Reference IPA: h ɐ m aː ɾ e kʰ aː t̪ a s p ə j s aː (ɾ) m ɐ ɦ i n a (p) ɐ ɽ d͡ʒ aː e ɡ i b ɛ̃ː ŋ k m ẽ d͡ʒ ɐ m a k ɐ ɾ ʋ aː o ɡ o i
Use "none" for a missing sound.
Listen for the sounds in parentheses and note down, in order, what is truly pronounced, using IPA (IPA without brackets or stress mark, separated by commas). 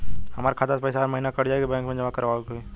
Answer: ɾ, k